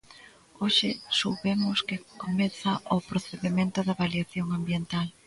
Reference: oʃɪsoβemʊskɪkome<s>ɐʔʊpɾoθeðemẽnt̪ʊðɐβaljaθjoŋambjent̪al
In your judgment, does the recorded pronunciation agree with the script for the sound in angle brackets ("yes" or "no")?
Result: no